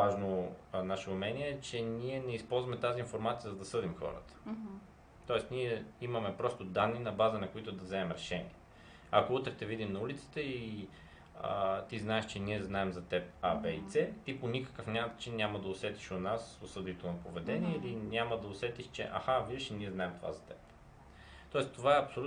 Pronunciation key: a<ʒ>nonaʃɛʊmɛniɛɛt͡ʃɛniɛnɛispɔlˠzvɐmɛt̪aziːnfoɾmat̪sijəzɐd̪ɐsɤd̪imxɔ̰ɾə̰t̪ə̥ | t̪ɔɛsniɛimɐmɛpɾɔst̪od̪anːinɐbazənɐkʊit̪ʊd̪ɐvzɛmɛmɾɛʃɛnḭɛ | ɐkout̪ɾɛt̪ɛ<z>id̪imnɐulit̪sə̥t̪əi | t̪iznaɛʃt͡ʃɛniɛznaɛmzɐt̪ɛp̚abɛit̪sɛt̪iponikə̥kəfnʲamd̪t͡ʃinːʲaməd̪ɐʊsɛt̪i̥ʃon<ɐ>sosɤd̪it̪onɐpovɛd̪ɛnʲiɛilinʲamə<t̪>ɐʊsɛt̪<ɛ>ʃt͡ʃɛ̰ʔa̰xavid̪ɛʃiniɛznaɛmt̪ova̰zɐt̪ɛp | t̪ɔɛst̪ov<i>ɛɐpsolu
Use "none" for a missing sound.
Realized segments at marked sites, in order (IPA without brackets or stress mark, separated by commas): ʒ, v, a, d̪, i, a